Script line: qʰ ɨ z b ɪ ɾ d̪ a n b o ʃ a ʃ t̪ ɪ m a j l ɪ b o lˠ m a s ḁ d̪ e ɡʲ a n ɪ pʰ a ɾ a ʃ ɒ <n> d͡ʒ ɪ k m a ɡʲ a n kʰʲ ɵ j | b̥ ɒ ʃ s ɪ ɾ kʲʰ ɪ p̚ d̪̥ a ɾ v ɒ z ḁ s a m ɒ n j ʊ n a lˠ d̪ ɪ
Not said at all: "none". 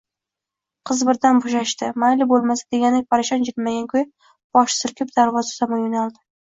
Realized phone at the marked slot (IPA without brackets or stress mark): n